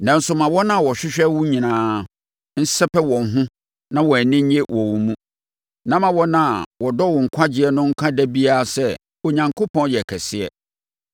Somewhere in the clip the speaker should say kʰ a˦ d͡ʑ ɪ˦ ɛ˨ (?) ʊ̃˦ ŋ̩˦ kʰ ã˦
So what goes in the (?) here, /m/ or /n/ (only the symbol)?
n